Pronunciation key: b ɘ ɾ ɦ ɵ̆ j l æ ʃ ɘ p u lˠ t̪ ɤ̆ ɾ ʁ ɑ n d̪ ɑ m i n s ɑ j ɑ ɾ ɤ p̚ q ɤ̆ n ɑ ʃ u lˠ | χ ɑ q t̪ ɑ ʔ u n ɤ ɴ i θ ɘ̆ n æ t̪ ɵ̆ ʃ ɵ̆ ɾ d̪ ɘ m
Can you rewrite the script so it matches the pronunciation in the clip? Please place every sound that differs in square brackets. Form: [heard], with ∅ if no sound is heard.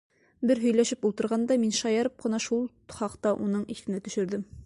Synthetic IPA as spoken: b ɘ ɾ ɦ ɵ̆ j l æ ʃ ɘ p u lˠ t̪ ɤ̆ ɾ ʁ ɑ n d̪ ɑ m i n [ʃ] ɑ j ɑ ɾ ɤ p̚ q ɤ̆ n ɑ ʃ u lˠ | χ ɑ q t̪ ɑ ʔ u n ɤ ɴ i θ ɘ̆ n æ t̪ ɵ̆ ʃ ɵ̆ ɾ d̪ ɘ m